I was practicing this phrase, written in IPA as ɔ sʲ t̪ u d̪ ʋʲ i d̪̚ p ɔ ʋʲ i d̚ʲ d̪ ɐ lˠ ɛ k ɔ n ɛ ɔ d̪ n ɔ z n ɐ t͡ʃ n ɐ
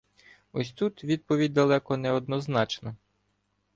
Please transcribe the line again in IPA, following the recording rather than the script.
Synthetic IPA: ɔ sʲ t̪ u t̪ ʋʲ i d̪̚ p ɔ ʋʲ i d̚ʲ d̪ ɐ lˠ ɛ k ɔ n ɛ ɔ d̪ n ɔ z n ɑ t͡ʃ n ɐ

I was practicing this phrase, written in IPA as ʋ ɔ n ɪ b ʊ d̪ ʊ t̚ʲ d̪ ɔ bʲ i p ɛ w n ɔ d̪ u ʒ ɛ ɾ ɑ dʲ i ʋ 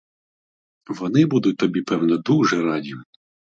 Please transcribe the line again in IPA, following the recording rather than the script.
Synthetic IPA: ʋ ɔ n ɪ b u d̪ ʊ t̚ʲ t̪ ɔ bʲ i p ɛ w n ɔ d̪ u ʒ ɛ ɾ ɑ dʲ i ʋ

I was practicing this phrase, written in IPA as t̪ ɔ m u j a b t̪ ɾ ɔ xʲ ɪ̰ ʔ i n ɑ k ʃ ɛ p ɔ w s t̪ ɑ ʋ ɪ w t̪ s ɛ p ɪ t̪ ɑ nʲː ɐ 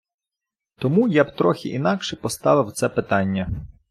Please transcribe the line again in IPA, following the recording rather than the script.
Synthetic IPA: t̪ ɔ m u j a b t̪ ɾ ɔ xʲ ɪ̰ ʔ i n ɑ k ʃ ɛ p ɔ s t̪ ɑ ʋ ɪ w t̪ s ɛ p ɪ t̪ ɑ nʲː ɐ

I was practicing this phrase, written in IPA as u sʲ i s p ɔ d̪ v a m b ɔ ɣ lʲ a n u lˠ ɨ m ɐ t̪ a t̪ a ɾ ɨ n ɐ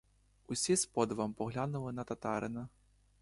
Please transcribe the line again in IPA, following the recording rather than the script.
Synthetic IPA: u sʲ i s p ɔ d̪ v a m p ɔ ɣ lʲ a n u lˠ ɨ n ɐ t̪ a t̪ a ɾ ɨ n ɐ

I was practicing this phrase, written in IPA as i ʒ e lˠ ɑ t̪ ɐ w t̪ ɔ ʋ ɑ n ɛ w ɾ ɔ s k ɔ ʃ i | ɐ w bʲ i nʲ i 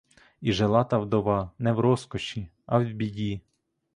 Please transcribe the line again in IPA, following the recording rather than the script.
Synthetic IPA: i ʒ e lˠ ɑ t̪ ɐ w d̪ ɔ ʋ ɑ n ɛ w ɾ ɔ s k ɔ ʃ i | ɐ w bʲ i dʲ i

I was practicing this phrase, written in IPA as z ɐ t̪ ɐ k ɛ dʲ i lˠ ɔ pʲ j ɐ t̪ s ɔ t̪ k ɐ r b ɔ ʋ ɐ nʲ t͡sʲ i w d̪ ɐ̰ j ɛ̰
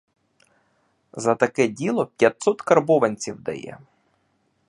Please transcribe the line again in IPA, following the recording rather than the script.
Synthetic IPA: z ɐ t̪ ɐ k ɛ dʲ i lˠ ɔ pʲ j ɐ t̪ s ɔ t̪ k ɐ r b ɔ ʋ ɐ nʲ t͡sʲ i w d̪ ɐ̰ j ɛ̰

